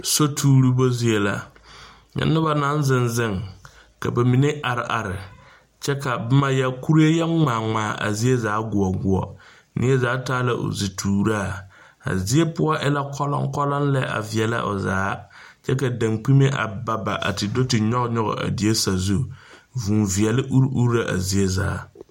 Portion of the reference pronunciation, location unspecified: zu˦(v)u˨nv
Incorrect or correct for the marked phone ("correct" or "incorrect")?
correct